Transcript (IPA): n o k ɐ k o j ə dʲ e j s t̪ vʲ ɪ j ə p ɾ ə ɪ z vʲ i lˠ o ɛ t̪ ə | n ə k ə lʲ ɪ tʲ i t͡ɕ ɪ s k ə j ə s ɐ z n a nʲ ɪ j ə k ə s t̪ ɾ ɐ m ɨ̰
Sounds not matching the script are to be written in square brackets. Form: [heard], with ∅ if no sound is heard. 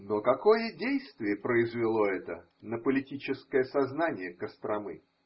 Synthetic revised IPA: n o k ɐ k o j ə dʲ e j s t̪ vʲ ɪ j ə p ɾ ə ɪ z vʲ [ɪ] lˠ o ɛ t̪ ə | n ə [p] ə lʲ ɪ tʲ i t͡ɕ ɪ s k ə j ə s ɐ z n a nʲ ɪ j ə k ə s t̪ ɾ ɐ m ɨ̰